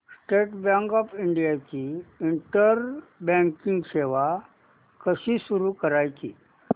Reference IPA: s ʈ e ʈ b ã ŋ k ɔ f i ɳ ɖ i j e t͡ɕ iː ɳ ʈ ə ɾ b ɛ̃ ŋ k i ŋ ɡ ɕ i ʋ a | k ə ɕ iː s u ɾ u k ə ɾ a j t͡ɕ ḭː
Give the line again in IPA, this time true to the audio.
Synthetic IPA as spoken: s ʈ e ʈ b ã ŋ k ɔ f i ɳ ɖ i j a t͡ɕ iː ɳ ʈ ə ɾ b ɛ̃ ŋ k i ŋ ɡ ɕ e ʋ a | k ə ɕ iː s u ɾ u k ə ɾ a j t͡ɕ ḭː